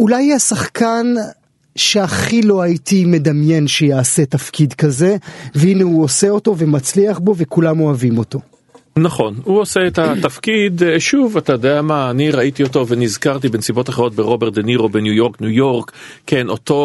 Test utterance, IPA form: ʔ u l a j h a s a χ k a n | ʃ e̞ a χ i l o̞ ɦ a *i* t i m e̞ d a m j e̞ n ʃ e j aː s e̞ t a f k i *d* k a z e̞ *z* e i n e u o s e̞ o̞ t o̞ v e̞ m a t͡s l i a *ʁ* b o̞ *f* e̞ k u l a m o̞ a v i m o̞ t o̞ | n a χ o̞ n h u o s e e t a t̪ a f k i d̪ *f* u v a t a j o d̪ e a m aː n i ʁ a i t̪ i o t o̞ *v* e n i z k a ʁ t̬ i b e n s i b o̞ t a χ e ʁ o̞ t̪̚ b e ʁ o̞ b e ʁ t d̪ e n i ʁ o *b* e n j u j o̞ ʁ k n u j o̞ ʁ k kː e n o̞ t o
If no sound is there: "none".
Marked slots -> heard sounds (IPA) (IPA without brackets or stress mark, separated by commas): i, d, v, χ, v, ʃ, v, b